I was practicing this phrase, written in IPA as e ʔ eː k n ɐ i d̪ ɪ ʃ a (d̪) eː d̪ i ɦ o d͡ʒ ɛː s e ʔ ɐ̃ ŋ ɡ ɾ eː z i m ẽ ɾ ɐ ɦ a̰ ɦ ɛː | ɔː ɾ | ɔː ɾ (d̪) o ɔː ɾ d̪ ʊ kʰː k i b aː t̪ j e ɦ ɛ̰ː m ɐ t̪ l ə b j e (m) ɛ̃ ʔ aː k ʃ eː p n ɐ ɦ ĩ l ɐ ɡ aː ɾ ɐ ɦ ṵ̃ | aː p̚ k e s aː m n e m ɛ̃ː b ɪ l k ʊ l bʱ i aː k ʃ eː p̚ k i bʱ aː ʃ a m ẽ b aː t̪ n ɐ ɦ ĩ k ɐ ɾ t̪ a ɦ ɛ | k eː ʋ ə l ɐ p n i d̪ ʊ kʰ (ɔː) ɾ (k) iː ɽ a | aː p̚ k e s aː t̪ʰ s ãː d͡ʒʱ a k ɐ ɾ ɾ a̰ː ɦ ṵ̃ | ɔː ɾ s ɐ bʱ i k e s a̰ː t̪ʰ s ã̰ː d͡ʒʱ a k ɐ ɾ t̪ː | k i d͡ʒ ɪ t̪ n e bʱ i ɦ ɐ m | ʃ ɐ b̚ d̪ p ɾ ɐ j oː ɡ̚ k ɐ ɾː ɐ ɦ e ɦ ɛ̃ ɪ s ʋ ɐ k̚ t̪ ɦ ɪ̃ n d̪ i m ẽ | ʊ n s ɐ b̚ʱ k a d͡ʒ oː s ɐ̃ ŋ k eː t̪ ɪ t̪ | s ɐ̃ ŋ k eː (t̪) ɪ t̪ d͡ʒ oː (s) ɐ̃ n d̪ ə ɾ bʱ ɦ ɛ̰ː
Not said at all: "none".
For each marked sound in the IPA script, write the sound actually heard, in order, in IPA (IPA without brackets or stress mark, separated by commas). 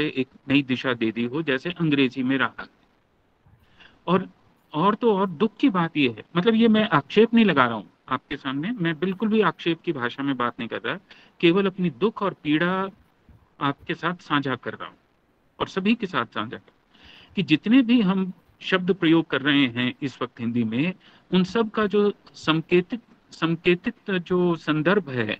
d̪, t̪, m, ɔː, p, t̪, s